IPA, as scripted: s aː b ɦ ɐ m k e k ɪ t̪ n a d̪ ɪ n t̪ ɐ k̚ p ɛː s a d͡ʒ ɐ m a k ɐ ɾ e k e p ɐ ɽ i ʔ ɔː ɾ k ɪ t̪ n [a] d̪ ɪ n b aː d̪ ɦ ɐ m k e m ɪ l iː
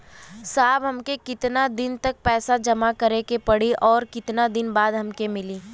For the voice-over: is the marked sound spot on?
yes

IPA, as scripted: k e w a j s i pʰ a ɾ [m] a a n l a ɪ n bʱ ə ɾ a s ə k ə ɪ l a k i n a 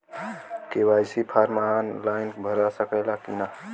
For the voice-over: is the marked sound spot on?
yes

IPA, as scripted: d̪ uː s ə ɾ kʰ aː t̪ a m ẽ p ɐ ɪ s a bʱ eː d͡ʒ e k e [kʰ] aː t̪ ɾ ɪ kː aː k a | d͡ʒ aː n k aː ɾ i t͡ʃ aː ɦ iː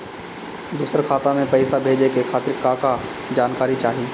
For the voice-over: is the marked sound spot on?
yes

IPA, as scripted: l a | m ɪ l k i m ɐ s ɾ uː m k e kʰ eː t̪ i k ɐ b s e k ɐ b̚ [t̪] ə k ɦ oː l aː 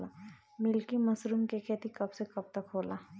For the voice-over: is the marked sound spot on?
yes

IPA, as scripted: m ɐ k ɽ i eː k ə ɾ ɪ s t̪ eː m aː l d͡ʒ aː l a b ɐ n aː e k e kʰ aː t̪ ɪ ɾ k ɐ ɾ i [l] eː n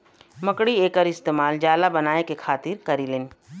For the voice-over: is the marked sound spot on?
yes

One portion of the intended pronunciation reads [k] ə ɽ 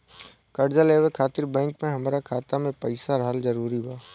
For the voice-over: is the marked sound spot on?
yes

